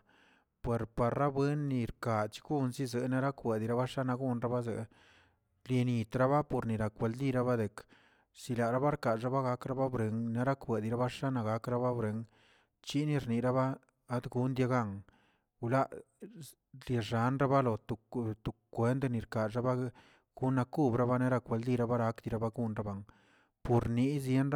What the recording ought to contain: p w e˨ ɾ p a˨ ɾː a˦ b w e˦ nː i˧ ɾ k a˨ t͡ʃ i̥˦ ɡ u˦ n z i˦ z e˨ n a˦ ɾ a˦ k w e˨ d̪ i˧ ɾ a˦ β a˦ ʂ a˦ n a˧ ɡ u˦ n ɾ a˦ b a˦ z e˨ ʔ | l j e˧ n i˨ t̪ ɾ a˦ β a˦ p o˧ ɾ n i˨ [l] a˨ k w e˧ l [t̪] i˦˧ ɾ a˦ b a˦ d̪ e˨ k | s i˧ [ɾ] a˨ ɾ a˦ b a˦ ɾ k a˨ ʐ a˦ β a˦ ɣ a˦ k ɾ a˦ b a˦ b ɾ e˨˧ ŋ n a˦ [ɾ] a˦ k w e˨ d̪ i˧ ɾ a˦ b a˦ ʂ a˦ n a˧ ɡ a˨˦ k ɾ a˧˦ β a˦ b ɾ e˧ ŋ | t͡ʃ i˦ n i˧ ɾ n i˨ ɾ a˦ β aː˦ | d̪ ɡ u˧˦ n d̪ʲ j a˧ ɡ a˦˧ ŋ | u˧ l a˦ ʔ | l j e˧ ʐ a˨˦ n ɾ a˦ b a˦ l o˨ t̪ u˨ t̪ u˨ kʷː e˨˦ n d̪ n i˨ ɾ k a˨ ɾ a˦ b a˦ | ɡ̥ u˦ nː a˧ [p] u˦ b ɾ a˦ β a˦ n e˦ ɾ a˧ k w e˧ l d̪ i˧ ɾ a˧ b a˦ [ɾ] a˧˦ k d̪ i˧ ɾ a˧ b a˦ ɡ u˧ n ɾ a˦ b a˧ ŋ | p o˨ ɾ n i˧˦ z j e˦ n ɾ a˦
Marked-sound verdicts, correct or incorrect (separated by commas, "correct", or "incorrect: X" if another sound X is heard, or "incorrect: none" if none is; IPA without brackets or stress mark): incorrect: ɾ, incorrect: d̪, incorrect: l, correct, incorrect: k, correct